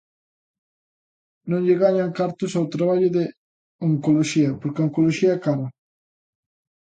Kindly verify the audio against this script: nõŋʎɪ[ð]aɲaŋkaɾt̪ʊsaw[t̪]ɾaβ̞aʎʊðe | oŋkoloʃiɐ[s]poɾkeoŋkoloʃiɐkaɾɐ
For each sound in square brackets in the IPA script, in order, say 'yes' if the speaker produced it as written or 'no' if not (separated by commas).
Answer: no, yes, no